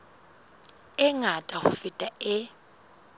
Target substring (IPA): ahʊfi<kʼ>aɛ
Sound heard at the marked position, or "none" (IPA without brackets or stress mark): tʼ